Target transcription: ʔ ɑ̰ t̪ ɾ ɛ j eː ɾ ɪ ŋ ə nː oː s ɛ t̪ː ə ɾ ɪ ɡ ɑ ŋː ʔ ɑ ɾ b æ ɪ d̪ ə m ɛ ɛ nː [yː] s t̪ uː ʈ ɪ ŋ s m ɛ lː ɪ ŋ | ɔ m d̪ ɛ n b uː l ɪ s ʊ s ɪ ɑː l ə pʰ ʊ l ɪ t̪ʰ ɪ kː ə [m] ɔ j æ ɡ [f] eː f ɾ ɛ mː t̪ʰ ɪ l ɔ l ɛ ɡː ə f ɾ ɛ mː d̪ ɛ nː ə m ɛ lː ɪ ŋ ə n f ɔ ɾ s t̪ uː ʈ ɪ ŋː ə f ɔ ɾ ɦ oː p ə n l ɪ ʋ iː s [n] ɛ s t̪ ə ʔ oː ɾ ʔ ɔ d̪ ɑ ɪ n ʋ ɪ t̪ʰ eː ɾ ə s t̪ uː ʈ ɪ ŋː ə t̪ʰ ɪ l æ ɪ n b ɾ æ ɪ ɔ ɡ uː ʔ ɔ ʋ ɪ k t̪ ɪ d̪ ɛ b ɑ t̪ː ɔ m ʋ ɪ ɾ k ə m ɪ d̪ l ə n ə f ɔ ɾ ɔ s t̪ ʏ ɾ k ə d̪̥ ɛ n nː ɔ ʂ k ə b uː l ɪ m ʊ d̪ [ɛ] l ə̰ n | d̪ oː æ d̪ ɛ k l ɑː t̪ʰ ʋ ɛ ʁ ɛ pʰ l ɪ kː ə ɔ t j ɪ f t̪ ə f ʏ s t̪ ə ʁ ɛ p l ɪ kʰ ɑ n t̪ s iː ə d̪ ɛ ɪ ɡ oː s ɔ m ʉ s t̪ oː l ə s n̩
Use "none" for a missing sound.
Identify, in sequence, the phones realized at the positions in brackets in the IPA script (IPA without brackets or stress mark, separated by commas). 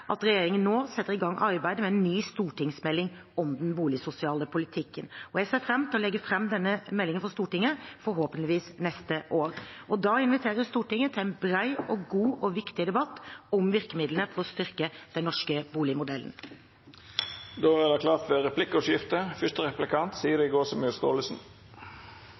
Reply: yː, n, s, n, ɛ